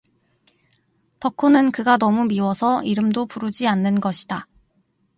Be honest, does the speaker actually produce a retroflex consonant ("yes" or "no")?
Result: no